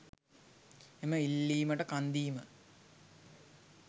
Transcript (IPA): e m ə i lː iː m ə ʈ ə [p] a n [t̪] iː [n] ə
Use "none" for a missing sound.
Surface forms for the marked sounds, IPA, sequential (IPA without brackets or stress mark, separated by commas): k, d̪, m